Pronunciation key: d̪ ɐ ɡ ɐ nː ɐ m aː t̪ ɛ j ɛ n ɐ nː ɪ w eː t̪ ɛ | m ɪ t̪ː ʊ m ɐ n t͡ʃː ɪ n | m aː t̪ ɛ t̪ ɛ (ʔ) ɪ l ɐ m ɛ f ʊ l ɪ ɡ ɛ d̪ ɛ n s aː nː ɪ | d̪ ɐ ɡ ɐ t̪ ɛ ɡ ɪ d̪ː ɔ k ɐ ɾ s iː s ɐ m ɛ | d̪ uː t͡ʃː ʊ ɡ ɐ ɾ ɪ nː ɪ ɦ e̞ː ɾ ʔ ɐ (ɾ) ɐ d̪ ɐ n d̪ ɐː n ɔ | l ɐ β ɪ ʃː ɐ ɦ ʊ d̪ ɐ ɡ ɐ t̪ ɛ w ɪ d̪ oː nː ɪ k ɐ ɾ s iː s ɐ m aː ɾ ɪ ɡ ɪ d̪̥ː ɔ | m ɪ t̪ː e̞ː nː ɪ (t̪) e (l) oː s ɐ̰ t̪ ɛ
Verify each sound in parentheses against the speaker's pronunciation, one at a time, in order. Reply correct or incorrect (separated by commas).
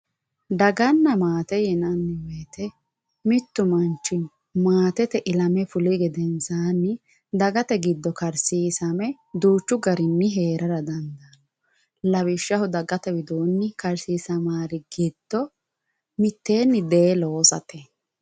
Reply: correct, correct, incorrect, correct